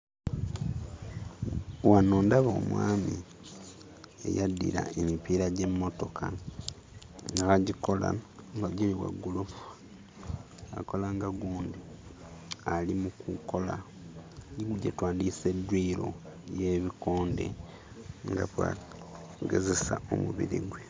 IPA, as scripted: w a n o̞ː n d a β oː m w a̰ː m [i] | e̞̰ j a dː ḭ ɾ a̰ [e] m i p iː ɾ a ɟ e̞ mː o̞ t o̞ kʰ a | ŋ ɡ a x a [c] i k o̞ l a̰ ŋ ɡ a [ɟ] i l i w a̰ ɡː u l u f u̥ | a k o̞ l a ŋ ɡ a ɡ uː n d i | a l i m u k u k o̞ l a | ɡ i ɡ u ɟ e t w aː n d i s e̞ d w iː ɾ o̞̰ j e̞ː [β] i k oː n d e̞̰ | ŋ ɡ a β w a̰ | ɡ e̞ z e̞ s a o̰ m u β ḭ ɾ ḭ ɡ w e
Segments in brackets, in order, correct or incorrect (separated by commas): correct, correct, incorrect, correct, correct